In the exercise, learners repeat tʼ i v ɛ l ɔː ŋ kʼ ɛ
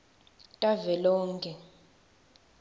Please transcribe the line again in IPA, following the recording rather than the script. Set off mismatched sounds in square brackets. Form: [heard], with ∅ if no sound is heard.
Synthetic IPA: tʼ [a] v ɛ l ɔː ŋ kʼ ɛ